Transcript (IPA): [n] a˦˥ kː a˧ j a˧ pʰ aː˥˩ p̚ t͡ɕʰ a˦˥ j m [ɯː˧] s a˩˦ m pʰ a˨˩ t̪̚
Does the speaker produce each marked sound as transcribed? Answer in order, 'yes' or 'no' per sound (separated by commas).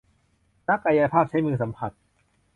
yes, yes